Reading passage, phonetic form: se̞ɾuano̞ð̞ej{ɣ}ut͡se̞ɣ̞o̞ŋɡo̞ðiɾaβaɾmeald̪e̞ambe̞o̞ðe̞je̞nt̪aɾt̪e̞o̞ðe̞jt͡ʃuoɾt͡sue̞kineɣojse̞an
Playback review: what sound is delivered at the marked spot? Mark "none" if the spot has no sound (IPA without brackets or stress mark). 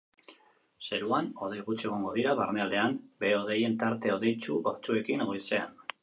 ɣ